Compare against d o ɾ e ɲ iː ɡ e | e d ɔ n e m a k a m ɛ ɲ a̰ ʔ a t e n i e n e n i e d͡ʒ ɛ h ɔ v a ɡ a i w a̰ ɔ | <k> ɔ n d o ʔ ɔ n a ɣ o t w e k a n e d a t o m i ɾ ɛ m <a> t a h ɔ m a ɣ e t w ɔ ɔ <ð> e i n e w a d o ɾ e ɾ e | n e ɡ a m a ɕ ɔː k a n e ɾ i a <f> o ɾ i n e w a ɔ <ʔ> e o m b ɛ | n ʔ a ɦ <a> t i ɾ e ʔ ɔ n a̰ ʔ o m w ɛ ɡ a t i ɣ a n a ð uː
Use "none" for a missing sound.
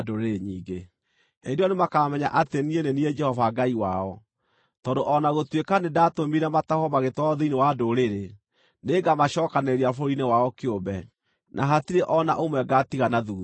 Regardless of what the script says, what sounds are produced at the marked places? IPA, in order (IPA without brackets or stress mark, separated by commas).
t, a, ð, f, k, a